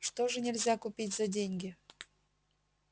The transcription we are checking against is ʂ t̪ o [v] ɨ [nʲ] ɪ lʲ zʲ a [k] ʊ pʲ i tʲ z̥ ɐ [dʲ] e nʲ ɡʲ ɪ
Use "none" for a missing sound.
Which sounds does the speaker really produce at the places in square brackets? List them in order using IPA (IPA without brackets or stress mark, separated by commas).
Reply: ʐ, nʲ, k, dʲ